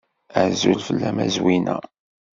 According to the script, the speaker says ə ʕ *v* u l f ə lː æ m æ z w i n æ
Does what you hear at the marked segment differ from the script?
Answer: yes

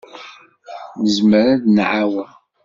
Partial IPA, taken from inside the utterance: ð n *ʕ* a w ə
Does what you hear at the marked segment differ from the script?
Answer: no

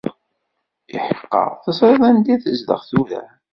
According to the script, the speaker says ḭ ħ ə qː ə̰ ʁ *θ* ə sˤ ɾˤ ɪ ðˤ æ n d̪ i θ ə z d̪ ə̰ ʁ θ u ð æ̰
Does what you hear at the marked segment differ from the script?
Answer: no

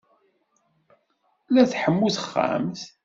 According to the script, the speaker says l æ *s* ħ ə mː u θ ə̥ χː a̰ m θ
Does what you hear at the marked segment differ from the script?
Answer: yes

